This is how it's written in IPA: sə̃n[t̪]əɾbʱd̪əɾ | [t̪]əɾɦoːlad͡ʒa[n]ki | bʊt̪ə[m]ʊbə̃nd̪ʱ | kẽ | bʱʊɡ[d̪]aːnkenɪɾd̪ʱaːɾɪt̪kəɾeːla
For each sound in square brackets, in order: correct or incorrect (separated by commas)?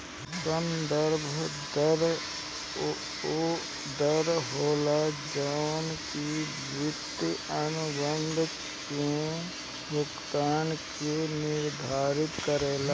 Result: incorrect, incorrect, correct, incorrect, incorrect